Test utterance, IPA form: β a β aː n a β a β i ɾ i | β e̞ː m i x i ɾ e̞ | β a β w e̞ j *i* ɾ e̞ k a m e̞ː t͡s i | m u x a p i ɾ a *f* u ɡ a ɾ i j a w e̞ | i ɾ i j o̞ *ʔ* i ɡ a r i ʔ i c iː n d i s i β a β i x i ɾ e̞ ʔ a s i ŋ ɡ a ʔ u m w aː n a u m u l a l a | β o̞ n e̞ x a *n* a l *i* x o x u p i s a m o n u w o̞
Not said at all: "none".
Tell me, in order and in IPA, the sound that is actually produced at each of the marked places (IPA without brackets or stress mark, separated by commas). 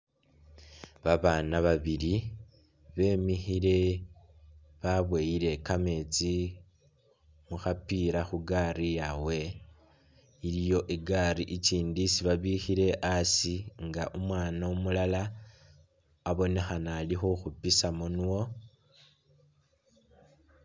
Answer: i, x, ʔ, n, i